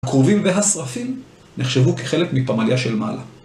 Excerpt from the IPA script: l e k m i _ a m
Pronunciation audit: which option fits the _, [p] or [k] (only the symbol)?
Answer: p